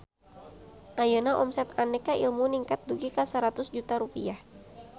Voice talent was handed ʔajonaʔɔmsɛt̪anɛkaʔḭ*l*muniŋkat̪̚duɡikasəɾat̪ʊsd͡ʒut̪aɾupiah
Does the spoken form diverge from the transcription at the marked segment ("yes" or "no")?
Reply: no